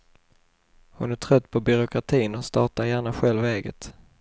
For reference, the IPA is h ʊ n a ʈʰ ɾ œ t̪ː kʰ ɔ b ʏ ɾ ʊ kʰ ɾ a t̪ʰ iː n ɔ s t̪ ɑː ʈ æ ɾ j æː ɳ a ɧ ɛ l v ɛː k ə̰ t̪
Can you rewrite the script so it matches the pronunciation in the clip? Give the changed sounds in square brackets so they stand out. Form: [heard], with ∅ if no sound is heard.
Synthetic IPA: h ʊ n [æ] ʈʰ ɾ œ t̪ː [pʰ] ɔ b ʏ ɾ ʊ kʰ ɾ a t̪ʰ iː n ɔ s t̪ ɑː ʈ [a] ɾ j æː ɳ a ɧ ɛ l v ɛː [ɡ] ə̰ t̪